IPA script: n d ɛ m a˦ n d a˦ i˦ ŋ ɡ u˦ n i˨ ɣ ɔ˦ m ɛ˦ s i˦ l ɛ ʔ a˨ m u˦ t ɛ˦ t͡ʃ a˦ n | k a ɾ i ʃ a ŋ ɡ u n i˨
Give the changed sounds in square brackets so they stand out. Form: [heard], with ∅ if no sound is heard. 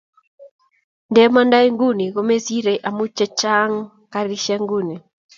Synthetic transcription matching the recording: n d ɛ m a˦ n d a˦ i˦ ŋ ɡ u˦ n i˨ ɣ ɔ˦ m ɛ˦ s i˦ [ɾ] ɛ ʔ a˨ m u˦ [t͡ʃ] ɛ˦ t͡ʃ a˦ [ŋ] | k a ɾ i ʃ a ŋ ɡ u n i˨